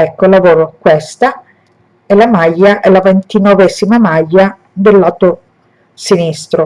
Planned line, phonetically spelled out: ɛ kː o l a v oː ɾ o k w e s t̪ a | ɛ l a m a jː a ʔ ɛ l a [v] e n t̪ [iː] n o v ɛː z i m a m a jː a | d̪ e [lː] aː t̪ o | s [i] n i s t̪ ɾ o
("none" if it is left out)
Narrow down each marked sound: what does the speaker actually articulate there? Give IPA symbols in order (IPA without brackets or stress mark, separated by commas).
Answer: v, i, lː, i